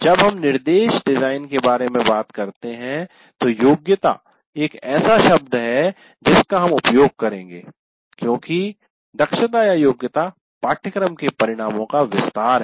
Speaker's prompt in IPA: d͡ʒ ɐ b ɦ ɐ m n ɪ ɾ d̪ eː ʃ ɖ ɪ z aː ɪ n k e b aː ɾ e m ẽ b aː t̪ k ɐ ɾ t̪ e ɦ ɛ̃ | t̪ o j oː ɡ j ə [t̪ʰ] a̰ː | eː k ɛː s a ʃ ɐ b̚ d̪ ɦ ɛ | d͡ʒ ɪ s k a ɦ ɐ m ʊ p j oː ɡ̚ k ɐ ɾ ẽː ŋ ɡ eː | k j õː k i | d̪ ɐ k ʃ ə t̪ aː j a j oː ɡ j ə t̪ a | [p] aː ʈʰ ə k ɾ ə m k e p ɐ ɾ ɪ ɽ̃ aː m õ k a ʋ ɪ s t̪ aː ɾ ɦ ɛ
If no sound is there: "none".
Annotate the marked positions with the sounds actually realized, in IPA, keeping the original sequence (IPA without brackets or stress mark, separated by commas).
t̪, p